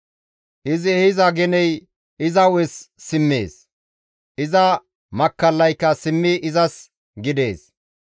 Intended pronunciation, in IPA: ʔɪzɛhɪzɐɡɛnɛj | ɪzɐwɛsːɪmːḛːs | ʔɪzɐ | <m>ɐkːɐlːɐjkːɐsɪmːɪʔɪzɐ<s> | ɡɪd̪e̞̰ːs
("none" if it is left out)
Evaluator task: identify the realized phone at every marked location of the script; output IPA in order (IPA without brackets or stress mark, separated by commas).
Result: m, s